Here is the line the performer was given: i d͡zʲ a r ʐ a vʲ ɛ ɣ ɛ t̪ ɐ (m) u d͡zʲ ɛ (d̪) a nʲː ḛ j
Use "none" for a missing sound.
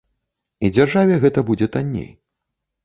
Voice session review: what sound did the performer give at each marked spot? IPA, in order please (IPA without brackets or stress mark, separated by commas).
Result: b, t̪